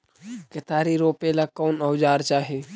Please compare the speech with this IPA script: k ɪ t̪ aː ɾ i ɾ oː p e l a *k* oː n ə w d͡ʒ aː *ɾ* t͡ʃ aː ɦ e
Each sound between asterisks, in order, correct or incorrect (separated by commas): correct, correct